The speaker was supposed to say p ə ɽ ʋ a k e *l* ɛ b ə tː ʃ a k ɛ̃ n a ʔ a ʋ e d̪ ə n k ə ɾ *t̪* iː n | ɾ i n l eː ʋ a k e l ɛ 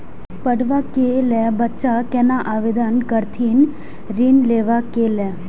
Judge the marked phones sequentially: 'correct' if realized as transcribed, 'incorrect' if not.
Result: correct, incorrect: t̪ʰ

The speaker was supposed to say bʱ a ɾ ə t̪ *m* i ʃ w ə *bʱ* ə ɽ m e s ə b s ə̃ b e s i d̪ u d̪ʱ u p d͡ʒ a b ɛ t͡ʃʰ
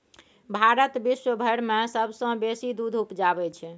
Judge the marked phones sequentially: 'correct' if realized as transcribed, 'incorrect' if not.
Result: incorrect: b, correct

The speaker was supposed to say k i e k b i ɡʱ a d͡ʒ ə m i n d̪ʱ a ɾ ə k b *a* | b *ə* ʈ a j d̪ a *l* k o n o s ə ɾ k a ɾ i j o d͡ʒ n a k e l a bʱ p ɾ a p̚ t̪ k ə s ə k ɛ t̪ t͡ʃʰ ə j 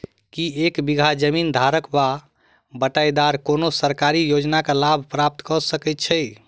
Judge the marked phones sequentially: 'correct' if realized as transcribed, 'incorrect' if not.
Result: correct, correct, incorrect: ɾ

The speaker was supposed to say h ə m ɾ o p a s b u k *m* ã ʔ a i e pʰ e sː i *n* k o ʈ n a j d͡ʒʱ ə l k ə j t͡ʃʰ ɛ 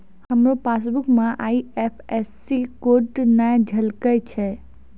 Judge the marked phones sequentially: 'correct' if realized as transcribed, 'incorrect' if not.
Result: correct, incorrect: none

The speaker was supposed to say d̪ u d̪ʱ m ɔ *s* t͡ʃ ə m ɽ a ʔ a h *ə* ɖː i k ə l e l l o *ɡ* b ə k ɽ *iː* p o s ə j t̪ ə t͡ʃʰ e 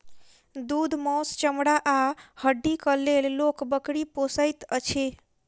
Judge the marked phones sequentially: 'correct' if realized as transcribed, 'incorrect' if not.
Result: correct, correct, incorrect: k, incorrect: i

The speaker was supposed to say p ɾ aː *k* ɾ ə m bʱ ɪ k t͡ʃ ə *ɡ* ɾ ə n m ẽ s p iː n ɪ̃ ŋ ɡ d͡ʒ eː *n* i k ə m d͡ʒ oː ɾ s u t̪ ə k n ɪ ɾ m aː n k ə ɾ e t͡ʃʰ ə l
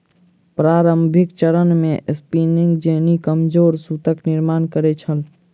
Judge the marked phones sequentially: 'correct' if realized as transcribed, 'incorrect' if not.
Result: incorrect: none, incorrect: none, correct

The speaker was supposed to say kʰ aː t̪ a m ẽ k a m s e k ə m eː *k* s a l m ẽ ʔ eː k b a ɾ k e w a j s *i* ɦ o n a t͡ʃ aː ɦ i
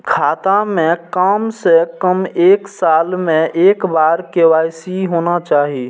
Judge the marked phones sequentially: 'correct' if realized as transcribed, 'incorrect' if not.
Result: correct, correct

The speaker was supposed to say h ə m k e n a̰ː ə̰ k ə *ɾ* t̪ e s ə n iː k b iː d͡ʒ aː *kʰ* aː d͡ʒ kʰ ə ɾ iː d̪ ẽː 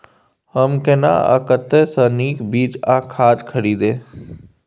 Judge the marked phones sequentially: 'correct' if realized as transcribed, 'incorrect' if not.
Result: incorrect: none, correct

